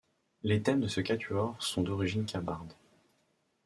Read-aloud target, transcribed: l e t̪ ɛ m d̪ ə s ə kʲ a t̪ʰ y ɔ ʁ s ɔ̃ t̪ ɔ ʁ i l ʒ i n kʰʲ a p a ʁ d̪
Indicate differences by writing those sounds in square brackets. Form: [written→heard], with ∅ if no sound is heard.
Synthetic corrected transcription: l e t̪ ɛ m d̪ ə s ə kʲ a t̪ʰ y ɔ ʁ s ɔ̃ [t̪→d̪] ɔ ʁ i [l→∅] ʒ i n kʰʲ a [p→b] a ʁ d̪